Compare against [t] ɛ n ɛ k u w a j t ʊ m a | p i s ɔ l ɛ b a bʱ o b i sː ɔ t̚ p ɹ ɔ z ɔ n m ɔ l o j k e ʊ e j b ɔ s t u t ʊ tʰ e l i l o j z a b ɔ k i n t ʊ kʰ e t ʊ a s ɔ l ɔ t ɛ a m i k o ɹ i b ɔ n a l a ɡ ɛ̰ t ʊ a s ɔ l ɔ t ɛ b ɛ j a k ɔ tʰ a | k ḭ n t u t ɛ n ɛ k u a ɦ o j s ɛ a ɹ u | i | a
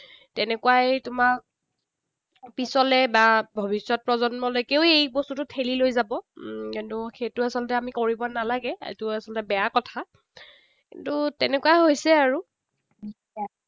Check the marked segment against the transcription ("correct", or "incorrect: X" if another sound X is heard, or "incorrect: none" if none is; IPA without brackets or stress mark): correct